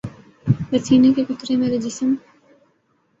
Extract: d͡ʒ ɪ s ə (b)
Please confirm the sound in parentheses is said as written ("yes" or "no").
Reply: no